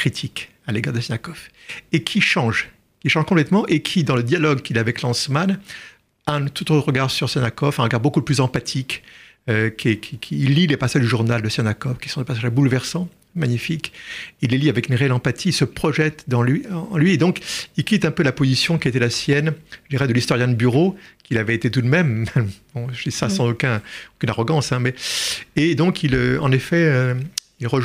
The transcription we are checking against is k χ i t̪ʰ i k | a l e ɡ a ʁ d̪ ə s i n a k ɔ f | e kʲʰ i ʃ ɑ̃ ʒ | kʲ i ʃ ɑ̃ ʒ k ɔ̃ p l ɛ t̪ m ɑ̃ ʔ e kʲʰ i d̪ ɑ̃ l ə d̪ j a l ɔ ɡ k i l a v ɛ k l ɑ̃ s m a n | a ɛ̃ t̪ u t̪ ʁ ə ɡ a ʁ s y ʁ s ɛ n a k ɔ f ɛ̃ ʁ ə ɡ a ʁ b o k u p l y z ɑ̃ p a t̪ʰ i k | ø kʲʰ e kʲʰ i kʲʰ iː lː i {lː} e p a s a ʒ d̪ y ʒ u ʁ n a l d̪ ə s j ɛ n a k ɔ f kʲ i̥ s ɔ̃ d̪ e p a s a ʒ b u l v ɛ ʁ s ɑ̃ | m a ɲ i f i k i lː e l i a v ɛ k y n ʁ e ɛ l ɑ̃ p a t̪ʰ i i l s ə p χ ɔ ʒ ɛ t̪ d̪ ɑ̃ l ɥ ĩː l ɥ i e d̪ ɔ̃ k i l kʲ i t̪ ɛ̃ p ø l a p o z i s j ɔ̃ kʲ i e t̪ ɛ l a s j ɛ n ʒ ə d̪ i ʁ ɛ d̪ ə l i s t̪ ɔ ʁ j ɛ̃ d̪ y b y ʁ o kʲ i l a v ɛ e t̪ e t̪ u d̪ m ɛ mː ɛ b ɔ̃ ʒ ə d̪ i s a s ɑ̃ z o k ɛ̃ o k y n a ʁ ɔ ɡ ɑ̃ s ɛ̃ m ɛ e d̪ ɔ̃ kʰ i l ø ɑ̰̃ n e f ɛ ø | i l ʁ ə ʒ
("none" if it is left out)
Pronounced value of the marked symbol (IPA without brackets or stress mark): l